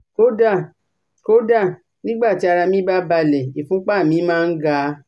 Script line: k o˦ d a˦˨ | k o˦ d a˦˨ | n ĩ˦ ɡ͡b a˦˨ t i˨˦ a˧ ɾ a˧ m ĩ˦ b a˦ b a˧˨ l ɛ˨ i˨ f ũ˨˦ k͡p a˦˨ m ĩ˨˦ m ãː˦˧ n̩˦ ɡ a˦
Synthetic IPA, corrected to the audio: k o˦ d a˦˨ | k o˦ d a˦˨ | n ĩ˦ ɡ͡b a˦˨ t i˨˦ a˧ ɾ a˧ m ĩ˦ b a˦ b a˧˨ l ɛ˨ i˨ f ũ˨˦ k͡p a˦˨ m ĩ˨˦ m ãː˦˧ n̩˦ ɡ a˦